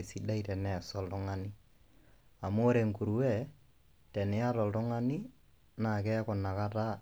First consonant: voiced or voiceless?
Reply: voiceless